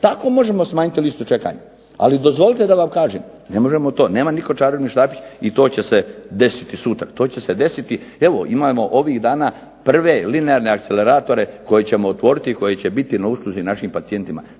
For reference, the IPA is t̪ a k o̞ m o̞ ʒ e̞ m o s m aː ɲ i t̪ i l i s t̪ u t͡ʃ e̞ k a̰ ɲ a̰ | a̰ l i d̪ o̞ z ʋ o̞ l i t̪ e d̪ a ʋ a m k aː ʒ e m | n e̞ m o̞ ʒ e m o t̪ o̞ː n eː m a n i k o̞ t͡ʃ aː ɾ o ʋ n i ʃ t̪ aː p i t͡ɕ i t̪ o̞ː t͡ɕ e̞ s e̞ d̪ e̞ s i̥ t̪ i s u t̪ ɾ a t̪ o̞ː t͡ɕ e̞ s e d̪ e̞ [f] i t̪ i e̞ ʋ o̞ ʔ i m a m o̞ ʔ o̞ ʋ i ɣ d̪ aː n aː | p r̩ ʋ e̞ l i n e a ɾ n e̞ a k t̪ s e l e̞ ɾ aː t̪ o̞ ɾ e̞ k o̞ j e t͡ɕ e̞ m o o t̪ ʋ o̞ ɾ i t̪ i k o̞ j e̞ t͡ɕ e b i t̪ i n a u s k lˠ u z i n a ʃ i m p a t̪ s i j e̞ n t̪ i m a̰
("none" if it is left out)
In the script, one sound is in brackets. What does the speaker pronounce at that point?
s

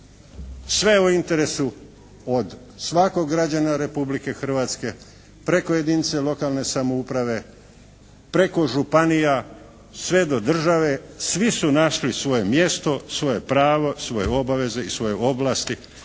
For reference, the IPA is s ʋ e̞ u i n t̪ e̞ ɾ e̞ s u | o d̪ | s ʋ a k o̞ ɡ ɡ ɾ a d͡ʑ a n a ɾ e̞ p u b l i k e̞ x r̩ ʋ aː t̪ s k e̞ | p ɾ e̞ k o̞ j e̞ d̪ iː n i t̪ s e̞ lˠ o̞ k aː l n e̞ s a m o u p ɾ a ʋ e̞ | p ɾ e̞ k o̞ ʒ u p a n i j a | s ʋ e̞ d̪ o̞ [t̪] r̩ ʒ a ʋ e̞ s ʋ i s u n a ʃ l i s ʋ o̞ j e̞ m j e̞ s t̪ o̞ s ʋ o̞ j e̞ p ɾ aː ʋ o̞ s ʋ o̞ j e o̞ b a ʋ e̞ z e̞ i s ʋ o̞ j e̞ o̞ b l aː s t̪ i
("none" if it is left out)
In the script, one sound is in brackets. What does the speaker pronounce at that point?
d̪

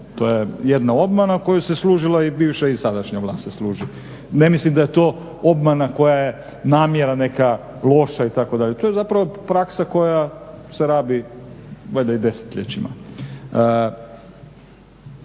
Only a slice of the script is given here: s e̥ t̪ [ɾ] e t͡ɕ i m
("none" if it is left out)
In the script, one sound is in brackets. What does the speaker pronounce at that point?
ʎ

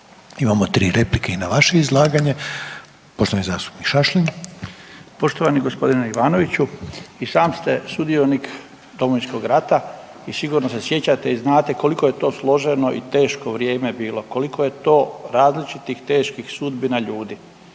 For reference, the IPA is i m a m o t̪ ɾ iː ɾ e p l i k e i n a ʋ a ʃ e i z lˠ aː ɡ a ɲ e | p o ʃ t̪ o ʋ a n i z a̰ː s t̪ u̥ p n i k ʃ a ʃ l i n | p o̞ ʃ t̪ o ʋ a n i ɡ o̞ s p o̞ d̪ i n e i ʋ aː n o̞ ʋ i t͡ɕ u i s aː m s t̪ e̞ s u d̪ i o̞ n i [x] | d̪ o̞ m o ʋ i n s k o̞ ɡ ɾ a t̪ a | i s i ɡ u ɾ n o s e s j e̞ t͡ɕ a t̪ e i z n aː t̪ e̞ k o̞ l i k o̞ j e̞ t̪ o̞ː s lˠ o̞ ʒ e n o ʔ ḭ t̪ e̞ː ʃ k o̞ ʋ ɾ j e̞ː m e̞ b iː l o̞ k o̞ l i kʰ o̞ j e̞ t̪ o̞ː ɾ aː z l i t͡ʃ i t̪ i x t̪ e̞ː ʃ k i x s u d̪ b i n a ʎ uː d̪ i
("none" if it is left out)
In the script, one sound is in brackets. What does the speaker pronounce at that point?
k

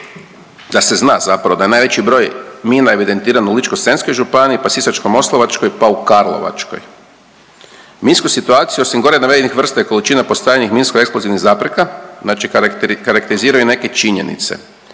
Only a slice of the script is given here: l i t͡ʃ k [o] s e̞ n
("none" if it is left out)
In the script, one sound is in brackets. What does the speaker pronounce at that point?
o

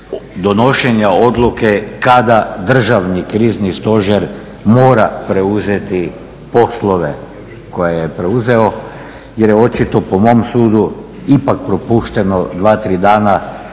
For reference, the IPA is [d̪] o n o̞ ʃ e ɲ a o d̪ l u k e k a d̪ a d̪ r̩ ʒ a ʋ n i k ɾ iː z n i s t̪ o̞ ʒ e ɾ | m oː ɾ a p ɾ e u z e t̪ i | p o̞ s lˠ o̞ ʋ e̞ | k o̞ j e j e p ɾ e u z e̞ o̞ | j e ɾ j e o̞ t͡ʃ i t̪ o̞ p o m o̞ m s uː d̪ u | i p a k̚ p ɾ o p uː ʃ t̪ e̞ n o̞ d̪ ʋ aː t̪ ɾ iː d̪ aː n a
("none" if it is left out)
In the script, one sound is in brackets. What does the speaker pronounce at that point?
d̪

